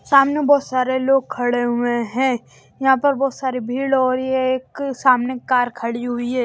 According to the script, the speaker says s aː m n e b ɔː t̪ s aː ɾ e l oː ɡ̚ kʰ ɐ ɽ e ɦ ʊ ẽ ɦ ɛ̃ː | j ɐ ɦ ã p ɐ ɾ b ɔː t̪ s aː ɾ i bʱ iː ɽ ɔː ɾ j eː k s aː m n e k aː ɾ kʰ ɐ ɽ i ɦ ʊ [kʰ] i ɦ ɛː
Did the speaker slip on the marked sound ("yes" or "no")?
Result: yes